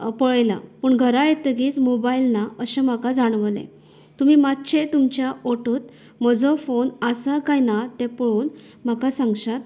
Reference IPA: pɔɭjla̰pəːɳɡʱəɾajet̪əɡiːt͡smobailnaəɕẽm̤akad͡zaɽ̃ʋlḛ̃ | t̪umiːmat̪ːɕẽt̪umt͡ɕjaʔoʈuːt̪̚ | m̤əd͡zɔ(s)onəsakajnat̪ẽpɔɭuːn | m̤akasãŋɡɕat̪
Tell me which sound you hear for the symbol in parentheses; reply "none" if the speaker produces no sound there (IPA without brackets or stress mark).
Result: f